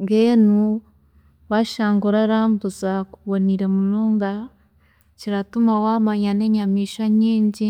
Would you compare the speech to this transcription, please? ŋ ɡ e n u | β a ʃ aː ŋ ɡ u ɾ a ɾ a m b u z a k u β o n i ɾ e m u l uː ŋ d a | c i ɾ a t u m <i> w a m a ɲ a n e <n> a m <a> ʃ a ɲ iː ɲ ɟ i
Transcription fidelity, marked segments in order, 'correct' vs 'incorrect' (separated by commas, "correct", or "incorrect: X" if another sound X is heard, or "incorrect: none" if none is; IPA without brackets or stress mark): incorrect: a, incorrect: ɲ, incorrect: i